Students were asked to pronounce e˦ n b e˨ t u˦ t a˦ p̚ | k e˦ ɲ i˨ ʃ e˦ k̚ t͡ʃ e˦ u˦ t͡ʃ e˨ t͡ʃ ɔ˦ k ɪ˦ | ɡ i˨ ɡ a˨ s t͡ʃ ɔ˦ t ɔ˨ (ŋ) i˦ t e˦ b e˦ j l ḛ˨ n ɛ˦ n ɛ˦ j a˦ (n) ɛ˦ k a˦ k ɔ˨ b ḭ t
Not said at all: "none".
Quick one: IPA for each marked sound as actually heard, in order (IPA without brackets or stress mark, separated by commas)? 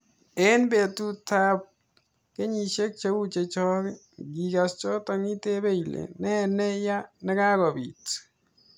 ŋ, n